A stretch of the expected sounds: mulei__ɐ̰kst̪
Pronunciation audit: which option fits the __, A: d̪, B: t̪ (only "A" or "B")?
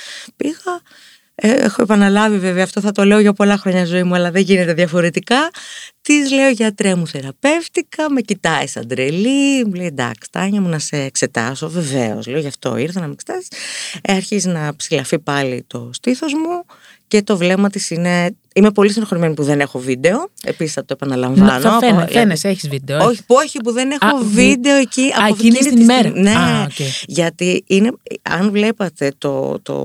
A